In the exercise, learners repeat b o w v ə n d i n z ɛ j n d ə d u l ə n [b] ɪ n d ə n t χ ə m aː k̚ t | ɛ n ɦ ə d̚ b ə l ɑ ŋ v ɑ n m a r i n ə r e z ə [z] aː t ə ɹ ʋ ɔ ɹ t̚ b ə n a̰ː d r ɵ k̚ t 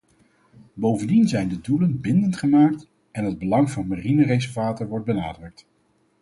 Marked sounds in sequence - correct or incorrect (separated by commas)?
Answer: correct, incorrect